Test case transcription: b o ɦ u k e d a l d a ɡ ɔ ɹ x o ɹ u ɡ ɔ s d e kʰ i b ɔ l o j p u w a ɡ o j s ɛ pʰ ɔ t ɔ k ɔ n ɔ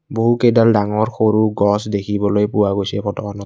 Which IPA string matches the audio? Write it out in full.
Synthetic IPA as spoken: b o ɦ u k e d a l d a ŋ ɔ ɹ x o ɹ u ɡ ɔ s d e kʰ i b ɔ l o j p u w a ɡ o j s ɛ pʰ ɔ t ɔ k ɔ n ɔ